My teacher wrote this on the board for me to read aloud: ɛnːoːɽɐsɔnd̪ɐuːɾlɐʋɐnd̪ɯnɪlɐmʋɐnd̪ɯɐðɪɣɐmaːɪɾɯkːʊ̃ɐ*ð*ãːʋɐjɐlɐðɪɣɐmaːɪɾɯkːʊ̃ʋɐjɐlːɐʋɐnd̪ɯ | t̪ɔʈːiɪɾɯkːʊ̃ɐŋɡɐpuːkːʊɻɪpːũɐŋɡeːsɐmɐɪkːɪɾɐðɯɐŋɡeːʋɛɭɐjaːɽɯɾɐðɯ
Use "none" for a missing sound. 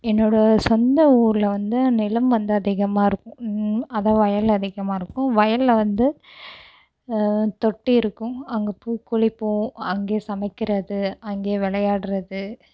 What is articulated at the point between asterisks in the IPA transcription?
ð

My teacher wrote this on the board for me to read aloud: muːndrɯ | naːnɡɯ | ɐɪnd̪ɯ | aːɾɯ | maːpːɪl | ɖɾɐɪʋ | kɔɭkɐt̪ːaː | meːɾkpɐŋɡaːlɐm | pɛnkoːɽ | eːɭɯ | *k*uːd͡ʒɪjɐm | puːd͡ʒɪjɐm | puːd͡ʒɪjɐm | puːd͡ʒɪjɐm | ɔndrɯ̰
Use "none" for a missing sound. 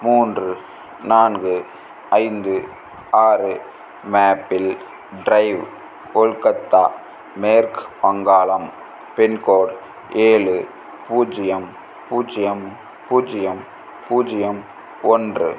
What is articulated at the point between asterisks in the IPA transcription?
p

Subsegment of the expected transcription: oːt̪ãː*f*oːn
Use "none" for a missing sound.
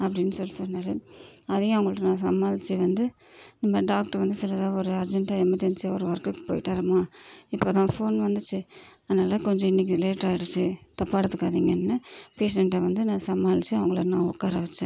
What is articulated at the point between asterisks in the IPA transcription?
f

